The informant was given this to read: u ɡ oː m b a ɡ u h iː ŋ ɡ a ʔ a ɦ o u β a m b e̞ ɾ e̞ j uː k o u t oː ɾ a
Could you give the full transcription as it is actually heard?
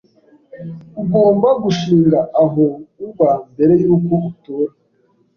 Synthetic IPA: u ɡ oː m b a ɡ u ʃ iː ŋ ɡ a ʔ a ɦ o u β a m b e̞ ɾ e̞ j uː k o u t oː ɾ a

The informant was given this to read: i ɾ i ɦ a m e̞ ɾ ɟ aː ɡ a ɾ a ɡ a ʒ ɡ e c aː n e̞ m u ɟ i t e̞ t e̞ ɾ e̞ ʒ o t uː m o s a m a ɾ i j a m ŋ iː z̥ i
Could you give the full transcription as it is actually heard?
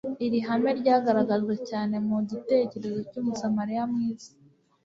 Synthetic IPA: i ɾ i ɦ a m e̞ ɾ ɟ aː ɡ a ɾ a ɡ a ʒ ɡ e c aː n e̞ m u ɟ i t e̞ c e̞ ɾ e̞ z o c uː m u s a m a ɾ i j a m ŋ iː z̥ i

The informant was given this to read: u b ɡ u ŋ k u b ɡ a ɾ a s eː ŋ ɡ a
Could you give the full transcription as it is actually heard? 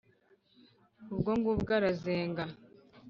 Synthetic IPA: u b ɡ o ŋ ɡ u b ɡ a ɾ a z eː ŋ ɡ a

